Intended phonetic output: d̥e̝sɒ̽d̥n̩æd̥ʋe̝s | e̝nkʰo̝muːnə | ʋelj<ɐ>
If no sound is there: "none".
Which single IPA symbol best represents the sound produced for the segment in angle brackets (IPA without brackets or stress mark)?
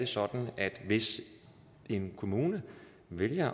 ɐ